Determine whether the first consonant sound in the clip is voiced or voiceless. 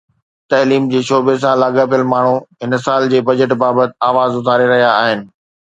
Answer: voiceless